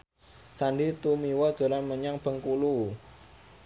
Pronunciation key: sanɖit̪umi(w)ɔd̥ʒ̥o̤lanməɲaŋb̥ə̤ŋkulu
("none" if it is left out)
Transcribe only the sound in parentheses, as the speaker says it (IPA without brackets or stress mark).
w